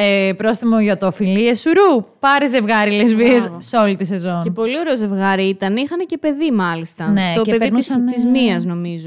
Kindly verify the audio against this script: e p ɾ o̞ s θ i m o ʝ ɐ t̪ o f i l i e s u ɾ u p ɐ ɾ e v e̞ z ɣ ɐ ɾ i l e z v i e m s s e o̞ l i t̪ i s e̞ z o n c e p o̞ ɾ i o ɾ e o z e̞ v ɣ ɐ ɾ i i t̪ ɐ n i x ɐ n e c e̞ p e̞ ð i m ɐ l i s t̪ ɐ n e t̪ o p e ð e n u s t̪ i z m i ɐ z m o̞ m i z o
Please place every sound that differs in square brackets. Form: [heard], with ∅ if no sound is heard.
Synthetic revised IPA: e p ɾ o̞ s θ i m o ʝ ɐ t̪ o f i l i e s u ɾ u p ɐ ɾ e [z] e̞ [v] ɣ ɐ ɾ i l e z v i e [∅] s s e o̞ l i t̪ i s e̞ z o n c e p o̞ [l] i o ɾ e o z e̞ v ɣ ɐ ɾ i i t̪ ɐ n i x ɐ n e c e̞ p e̞ ð i m ɐ l i s t̪ ɐ n e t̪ o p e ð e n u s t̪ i z m i ɐ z [n] o̞ m i z o